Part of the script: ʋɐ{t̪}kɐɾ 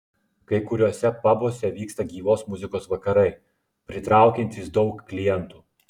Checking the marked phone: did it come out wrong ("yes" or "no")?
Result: yes